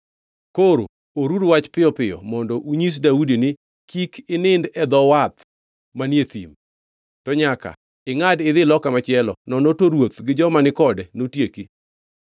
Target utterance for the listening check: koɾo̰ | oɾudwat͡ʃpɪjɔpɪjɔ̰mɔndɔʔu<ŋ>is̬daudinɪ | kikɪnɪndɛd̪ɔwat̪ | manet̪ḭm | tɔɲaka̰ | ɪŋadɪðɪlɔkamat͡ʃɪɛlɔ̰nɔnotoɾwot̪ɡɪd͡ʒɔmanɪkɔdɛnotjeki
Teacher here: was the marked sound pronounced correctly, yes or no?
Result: no